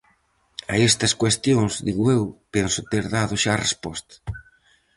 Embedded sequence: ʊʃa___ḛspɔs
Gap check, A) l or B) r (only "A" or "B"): B